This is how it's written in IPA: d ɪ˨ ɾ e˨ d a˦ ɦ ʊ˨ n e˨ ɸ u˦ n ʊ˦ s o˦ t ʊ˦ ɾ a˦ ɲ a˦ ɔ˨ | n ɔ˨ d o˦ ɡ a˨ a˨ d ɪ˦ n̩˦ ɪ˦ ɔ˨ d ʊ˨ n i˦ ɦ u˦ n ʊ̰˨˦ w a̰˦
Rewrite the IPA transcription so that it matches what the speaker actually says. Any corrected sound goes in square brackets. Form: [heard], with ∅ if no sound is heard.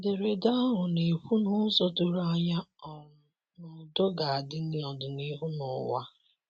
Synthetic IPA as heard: d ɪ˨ ɾ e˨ d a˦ ɦ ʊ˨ n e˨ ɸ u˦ n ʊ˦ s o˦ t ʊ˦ ɾ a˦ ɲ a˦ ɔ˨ | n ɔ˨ d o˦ ɡ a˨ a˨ d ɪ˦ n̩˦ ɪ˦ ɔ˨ d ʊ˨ n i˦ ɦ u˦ n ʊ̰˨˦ w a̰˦